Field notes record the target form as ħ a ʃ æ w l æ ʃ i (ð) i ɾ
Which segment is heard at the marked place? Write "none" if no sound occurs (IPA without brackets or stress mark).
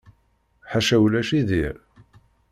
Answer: ð